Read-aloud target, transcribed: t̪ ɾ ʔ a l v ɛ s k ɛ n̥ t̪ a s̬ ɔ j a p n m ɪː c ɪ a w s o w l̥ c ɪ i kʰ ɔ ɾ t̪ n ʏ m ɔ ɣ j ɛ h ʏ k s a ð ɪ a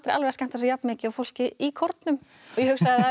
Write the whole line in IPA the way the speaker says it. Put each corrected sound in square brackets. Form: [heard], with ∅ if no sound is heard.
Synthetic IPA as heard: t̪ ɾ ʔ a l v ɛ s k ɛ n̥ t̪ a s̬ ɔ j a p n m ɪː c ɪ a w [f] o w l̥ c ɪ i kʰ ɔ ɾ t̪ n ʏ m ɔ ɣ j ɛ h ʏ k s a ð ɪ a